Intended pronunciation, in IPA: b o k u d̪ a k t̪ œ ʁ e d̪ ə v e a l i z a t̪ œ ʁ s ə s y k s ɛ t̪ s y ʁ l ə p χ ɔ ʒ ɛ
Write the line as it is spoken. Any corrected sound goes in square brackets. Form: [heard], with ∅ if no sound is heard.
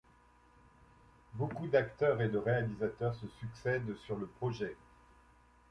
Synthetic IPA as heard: b o k u d̪ a k t̪ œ ʁ e d̪ ə [ʁ] e a l i z a t̪ œ ʁ s ə s y k s ɛ [d̪] s y ʁ l ə p χ ɔ ʒ ɛ